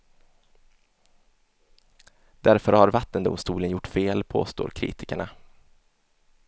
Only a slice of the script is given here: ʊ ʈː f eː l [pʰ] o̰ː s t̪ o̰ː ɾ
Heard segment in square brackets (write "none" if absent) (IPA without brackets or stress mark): pʰ